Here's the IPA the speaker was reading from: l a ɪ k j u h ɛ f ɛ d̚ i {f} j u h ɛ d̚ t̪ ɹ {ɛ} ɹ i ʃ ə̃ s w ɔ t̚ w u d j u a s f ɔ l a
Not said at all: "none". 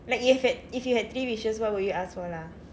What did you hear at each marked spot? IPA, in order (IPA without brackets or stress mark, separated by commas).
f, i